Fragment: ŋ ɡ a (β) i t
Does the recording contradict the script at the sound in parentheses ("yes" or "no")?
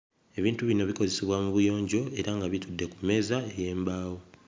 no